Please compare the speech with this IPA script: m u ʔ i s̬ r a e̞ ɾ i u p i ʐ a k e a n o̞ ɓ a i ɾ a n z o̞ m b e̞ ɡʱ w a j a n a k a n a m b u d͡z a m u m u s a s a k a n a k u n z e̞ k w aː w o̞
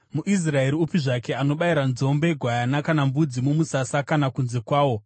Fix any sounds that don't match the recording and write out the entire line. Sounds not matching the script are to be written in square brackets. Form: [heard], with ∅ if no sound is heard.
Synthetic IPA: m u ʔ i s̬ r a e̞ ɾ i u p i ʐ a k e a n o̞ ɓ a i ɾ a n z o̞ m b e̞ ɡʱ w a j a n a k a n a m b u d͡z [i] m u m u s a s a k a n a k u n z e̞ k w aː w o̞